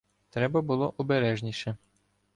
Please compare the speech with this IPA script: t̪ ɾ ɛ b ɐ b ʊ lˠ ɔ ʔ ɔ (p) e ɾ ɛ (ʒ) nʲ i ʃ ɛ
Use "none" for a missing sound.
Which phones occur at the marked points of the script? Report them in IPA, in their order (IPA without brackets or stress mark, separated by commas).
b, ʒ